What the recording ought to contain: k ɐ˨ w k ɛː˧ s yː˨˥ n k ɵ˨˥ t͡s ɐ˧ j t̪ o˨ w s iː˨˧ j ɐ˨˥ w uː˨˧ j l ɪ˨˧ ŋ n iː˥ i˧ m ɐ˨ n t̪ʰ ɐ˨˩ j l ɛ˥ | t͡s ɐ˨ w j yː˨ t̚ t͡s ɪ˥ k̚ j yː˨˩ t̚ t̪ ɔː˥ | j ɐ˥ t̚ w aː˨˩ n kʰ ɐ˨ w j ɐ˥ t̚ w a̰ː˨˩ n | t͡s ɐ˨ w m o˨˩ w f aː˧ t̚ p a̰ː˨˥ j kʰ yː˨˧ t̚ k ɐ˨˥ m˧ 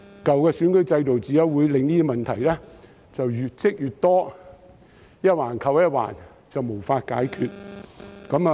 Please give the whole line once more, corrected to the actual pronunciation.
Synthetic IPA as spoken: k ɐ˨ w k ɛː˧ s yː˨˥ n k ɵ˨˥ t͡s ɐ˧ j t̪ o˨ w t͡s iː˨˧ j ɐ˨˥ w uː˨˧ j l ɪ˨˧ ŋ n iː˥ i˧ m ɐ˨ n t̪ʰ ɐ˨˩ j l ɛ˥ | t͡s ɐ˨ w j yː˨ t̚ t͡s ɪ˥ k̚ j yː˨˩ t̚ t̪ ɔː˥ | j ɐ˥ t̚ w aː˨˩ n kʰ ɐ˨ w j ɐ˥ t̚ w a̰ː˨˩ n | t͡s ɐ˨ w m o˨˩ w f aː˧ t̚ k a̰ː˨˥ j kʰ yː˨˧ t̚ k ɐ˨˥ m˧